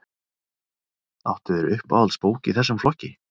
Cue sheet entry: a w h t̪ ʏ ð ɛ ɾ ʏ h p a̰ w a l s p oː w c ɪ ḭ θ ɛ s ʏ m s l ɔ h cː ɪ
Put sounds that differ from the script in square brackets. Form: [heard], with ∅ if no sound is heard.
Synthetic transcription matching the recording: a w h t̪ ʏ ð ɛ ɾ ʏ h p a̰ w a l s p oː w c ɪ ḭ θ ɛ [sː] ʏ m [f] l ɔ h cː ɪ